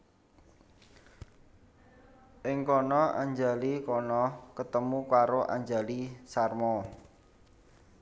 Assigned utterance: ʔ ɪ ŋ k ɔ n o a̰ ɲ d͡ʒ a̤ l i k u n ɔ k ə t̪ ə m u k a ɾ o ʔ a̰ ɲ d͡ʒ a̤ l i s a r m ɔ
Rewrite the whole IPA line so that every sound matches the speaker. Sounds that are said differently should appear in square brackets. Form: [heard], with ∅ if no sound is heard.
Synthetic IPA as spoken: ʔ ɪ ŋ k ɔ n [ɔ] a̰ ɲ d͡ʒ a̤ l i k [ɔ] n ɔ k ə t̪ ə m u k a ɾ o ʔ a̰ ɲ d͡ʒ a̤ l i s a r m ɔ

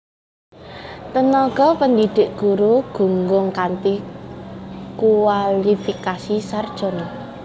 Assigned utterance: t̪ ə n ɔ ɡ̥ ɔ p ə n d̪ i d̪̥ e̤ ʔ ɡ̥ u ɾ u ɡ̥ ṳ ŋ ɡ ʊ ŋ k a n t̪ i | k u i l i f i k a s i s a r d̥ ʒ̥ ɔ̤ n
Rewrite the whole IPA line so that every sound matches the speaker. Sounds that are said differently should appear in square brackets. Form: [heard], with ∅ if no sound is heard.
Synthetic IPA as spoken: t̪ ə n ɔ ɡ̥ ɔ p ə n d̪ i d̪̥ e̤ ʔ ɡ̥ u ɾ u ɡ̥ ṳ ŋ ɡ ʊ ŋ k a n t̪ i | k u [a] l i f i k a s i s a r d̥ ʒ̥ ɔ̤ n

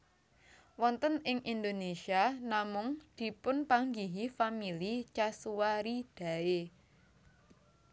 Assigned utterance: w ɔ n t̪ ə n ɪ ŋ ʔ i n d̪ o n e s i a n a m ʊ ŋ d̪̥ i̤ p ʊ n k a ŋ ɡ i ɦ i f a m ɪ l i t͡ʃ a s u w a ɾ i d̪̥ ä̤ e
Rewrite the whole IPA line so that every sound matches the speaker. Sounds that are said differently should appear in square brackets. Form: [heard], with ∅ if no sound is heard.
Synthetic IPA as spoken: w ɔ n t̪ ə n ɪ ŋ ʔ i n d̪ o n e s i a n a m ʊ ŋ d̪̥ i̤ p ʊ n [p] a ŋ ɡ i ɦ i f a m [i] l i t͡ʃ a s u w a ɾ i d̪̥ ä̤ e

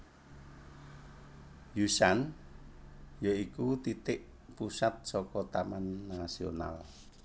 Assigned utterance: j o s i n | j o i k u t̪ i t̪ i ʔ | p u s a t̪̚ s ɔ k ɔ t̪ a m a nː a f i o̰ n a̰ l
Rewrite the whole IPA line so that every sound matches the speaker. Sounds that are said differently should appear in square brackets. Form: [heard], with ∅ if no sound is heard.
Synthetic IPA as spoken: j [u] s [a] n | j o i k u t̪ i t̪ [ɪ] ʔ | p u s a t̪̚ s ɔ k ɔ t̪ a m a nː a [s] i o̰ n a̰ l

